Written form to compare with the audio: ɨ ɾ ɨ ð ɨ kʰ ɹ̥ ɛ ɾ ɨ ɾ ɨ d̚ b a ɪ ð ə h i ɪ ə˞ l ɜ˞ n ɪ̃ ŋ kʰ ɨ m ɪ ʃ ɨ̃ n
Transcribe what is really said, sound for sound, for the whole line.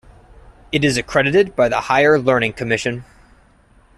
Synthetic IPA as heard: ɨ ɾ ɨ z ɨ kʰ ɹ̥ ɛ ɾ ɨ ɾ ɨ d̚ b a ɪ ð ə h a ɪ ə˞ l ɜ˞ n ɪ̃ ŋ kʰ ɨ m ɪ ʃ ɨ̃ n